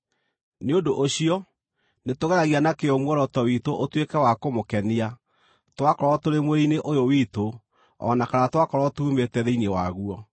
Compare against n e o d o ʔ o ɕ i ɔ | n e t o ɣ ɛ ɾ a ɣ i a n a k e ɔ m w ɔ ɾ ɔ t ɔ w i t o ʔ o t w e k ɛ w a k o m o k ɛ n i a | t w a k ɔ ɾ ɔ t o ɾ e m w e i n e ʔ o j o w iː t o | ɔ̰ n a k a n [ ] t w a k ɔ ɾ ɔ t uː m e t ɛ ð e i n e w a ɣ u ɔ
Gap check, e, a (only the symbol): a